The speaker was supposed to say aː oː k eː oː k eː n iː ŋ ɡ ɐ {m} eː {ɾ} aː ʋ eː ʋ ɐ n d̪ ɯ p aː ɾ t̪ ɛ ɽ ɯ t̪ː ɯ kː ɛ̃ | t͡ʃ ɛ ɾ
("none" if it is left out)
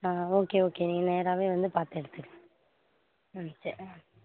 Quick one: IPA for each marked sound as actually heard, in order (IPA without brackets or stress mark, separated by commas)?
n, ɾ